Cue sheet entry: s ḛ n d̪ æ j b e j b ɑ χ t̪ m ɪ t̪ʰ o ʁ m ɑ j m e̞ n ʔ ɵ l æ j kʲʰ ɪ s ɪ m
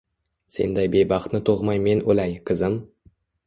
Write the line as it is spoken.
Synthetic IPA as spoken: s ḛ n d̪ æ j b e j b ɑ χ t̪ n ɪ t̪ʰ o ʁ m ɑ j m e̞ n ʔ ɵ l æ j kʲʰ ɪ z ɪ m

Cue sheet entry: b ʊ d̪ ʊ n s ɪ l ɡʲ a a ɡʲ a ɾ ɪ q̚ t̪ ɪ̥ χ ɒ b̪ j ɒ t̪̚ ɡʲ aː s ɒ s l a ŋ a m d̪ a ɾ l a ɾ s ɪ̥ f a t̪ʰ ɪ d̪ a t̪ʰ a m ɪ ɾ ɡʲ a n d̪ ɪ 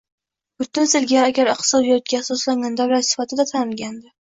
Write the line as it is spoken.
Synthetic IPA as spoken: b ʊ t̪ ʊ n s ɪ l ɡʲ a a ɡʲ a ɾ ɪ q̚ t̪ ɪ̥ s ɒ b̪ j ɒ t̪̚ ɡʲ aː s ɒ s l a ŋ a n d̪ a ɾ l a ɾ s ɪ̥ f a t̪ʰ ɪ d̪ a t̪ʰ a n ɪ l ɡʲ a n d̪ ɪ

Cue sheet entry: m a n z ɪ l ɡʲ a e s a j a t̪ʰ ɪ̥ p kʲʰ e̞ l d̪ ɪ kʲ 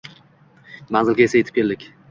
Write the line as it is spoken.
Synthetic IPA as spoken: m a n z ɪ l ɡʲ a e s a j e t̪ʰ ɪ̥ p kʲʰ e̞ l d̪ ɪ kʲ

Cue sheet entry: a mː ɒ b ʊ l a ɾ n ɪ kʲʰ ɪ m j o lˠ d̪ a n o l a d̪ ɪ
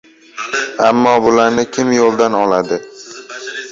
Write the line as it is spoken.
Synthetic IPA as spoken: a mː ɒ b ʊ l a ɾ n ɪ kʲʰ ɪ m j o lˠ d̪ a n ɒ l a d̪ ɪ

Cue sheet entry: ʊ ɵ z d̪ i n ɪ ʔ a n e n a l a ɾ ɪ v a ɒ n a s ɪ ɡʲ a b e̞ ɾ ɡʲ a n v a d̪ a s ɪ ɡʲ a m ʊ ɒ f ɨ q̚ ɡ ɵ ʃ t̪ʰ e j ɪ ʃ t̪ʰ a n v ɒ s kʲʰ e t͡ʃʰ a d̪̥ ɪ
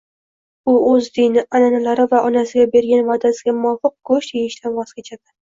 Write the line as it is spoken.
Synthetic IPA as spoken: ʊ ɵ z d̪ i n ɪ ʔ a n a n a l a ɾ ɪ v a ɒ n a s ɪ ɡʲ a b e̞ ɾ ɡʲ a n v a d̪ a s ɪ ɡʲ a m ʊ ɒ f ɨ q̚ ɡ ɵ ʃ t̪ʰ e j ɪ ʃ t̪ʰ a n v ɒ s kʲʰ e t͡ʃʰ a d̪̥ ɪ

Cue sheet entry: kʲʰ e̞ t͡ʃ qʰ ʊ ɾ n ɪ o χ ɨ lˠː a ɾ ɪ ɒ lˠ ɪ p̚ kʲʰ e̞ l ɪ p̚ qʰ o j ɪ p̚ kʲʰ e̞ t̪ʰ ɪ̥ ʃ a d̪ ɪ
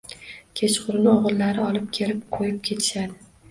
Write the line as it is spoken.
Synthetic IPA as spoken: kʲʰ e̞ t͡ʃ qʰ ʊ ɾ n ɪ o ʁ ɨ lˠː a ɾ ɪ ɒ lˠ ɪ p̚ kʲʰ e̞ l ɪ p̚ qʰ o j ɪ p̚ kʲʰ e̞ t̪ʰ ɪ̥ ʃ a d̪ ɪ

